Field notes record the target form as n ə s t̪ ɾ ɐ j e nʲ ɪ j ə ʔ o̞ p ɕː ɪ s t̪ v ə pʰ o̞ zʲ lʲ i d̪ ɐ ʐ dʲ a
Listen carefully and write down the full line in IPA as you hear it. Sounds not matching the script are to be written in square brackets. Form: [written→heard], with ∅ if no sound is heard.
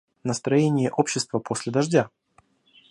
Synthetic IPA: n ə s t̪ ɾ ɐ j e nʲ ɪ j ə ʔ o̞ p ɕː ɪ s t̪ v ə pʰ o̞ [zʲ→sʲ] lʲ [i→ɪ] d̪ ɐ ʐ dʲ a